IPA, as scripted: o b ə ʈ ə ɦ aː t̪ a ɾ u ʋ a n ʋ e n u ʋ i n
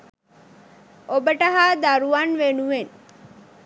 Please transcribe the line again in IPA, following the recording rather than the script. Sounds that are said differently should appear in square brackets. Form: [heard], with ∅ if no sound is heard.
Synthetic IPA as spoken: o b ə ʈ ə ɦ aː [d̪] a ɾ u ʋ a n ʋ e n u ʋ [e] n

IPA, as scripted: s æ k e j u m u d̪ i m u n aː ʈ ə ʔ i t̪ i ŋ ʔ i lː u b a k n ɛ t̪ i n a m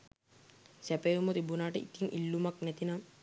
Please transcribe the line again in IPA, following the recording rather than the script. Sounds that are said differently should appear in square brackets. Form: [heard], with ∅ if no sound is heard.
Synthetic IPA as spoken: s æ [p] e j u m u [t̪] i [b] u n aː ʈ ə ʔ i t̪ i ŋ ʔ i lː u [m] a k n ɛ t̪ i n a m

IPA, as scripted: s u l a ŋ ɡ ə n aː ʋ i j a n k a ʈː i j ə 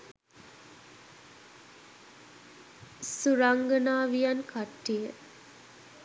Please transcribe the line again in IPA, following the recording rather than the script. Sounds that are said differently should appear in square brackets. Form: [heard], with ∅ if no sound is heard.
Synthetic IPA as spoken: s u [ɾ] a ŋ ɡ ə n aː ʋ i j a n k a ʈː i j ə

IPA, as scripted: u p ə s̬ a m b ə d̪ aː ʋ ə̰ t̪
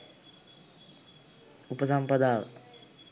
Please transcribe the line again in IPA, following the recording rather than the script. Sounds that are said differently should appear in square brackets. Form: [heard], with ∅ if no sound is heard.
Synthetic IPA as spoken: u p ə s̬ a m [p] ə d̪ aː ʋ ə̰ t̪

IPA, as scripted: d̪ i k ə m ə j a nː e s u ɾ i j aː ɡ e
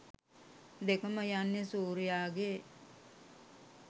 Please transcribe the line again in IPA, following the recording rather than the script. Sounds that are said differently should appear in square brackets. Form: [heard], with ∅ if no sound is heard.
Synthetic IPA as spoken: d̪ [e] k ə m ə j a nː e s [uː] ɾ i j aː ɡ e

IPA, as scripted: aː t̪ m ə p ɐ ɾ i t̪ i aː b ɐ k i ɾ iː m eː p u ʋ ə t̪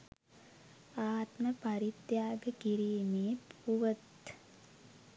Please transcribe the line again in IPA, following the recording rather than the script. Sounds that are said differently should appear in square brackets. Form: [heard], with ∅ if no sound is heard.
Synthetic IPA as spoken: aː t̪ m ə p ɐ ɾ i t̪ [j] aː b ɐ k i ɾ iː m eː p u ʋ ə t̪

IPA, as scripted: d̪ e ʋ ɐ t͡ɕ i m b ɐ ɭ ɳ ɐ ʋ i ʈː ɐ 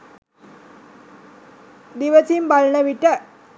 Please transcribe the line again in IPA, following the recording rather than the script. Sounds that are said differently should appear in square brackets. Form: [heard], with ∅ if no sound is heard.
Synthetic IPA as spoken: d̪ [i] ʋ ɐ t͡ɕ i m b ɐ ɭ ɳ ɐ ʋ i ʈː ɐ

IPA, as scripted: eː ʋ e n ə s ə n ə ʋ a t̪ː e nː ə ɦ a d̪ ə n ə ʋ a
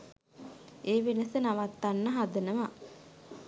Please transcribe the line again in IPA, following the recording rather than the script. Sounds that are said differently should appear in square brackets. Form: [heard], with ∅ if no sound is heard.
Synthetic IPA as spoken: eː ʋ e n ə s ə n [a] ʋ a t̪ː [a] nː ə ɦ a d̪ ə n ə ʋ a

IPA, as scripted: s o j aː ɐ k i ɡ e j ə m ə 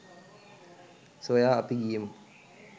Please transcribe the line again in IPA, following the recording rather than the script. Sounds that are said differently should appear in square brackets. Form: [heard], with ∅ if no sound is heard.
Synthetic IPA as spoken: s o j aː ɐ [p] i ɡ [i] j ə m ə

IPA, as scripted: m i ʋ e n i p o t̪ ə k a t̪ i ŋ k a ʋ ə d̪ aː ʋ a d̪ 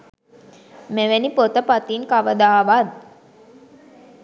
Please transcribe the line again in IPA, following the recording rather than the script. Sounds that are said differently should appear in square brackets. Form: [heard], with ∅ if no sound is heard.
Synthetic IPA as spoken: m [e] ʋ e n i p o t̪ ə [p] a t̪ i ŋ k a ʋ ə d̪ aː ʋ a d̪

